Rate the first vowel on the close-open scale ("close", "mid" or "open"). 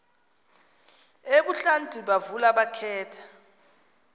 mid